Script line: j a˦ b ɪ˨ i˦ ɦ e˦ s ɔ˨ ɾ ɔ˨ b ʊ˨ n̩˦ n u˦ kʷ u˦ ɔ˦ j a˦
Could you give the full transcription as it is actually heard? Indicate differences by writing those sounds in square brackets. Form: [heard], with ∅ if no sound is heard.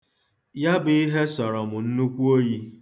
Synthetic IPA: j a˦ b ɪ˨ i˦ ɦ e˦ s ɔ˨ ɾ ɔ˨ [m] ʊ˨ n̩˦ n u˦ kʷ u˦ [o˦] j [i˦]